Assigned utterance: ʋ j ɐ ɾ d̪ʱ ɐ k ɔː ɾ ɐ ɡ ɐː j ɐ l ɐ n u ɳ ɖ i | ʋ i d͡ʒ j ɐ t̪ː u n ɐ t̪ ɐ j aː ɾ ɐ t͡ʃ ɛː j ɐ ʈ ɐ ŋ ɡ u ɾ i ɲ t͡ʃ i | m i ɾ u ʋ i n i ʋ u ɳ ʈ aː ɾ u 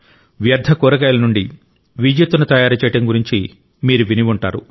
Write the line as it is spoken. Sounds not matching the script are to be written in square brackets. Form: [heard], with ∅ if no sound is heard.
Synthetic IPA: ʋ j ɐ ɾ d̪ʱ ɐ k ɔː ɾ ɐ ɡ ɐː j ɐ l ɐ n u ɳ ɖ i | ʋ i d͡ʒ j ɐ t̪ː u n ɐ t̪ ɐ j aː ɾ ɐ t͡ʃ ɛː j ɐ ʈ ɐ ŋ ɡ u ɾ i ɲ t͡ʃ i | m [iː] ɾ u ʋ i n i ʋ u ɳ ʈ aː ɾ u